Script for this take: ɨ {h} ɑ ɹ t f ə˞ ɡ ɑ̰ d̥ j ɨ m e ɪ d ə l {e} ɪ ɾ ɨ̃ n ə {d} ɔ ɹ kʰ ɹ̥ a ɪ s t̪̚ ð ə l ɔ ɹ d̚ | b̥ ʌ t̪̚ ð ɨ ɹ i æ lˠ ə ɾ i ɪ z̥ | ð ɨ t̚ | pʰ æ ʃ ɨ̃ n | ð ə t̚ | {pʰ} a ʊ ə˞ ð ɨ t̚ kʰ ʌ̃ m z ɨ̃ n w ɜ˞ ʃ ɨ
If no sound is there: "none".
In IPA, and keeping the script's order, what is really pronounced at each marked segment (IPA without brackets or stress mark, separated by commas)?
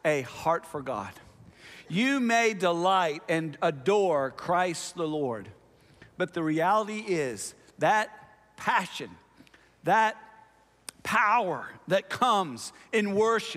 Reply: h, a, d, pʰ